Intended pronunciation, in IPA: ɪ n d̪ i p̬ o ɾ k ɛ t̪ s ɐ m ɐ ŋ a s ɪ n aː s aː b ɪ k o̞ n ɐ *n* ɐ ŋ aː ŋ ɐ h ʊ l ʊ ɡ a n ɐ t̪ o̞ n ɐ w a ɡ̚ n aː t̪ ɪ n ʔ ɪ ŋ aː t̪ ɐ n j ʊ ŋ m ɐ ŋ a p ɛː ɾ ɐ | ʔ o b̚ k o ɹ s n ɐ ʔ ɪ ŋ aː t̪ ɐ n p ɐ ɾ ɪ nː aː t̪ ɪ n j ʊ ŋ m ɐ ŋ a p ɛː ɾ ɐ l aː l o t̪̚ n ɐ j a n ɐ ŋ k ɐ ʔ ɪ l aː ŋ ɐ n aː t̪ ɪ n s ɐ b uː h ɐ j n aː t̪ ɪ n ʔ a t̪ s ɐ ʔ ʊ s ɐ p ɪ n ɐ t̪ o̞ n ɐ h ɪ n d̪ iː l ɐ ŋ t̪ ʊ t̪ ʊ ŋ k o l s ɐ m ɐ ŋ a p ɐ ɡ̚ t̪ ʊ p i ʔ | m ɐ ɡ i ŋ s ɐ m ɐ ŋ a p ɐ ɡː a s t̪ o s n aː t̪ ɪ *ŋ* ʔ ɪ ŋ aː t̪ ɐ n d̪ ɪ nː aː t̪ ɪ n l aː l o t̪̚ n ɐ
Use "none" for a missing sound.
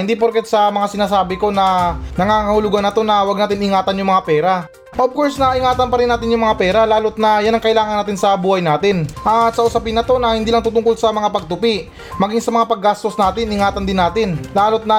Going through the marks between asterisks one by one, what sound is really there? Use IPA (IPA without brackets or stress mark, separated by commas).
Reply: n, n